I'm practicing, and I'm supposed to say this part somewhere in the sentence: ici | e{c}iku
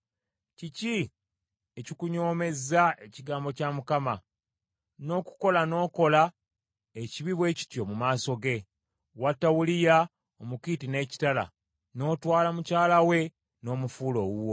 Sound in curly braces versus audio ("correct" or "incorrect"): correct